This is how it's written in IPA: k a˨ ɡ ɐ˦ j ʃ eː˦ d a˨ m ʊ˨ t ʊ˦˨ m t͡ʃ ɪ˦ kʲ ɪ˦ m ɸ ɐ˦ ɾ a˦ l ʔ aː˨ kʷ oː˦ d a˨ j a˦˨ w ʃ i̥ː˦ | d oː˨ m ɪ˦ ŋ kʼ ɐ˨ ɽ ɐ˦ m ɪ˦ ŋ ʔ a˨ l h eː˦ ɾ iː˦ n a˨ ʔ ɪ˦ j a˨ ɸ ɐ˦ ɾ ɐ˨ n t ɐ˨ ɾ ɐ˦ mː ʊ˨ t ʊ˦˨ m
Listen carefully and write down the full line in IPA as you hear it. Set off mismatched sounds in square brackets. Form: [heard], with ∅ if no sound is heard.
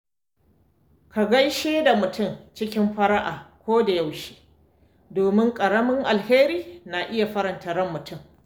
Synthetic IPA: k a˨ ɡ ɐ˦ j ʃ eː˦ d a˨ m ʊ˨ t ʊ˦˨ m t͡ʃ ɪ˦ kʲ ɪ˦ m ɸ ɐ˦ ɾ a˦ [∅] ʔ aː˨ kʷ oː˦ d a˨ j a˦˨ w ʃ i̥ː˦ | d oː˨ m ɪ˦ ŋ kʼ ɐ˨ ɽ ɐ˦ m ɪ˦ ŋ ʔ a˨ l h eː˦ ɾ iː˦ n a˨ ʔ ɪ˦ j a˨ ɸ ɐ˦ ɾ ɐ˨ n t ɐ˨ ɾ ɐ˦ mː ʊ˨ t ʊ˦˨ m